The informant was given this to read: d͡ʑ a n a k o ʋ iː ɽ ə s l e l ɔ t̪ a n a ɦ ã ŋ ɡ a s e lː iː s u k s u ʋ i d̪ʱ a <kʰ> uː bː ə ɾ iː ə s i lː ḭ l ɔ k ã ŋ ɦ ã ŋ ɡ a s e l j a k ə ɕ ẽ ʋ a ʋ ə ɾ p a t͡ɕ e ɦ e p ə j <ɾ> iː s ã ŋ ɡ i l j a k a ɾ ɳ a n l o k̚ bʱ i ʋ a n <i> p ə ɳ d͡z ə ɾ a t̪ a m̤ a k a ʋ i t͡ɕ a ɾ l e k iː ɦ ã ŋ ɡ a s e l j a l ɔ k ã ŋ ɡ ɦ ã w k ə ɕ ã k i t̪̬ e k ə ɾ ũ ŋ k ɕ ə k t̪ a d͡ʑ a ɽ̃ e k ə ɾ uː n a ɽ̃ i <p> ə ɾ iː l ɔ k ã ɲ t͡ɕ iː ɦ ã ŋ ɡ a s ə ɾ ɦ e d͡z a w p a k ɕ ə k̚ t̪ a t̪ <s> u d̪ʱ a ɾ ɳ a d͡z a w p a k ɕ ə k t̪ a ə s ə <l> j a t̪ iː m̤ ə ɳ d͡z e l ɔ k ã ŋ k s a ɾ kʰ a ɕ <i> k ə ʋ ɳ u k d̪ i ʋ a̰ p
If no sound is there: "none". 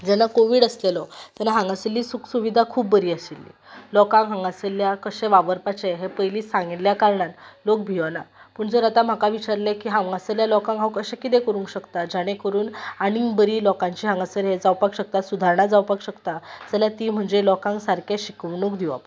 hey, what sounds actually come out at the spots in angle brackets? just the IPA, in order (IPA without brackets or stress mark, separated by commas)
kʰ, l, a, b, s, l, i